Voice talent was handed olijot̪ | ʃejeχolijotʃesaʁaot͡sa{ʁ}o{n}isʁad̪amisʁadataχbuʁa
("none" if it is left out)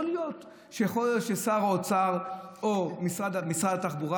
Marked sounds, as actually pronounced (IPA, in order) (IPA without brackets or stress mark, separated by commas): ʁ, m